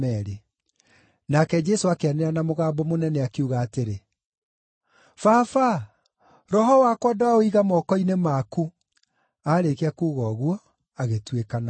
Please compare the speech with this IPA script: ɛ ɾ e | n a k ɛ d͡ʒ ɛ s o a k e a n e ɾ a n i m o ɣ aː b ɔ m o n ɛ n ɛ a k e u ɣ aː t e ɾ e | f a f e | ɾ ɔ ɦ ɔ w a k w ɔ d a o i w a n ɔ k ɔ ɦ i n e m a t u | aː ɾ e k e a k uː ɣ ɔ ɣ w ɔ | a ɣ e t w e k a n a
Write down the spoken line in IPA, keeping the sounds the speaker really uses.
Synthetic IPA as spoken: ɛ ɾ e | n a k ɛ d͡ʒ ɛ s o a k e a n e ɾ a n a m o ɣ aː b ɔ m o n ɛ n ɛ a k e u ɣ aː t e ɾ e | f a f a | ɾ ɔ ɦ ɔ w a k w ɔ d a o i ɣ a m ɔ k ɔ i n e m a k u | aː ɾ e k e a k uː ɣ ɔ ɣ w ɔ | a ɣ e t w e k a n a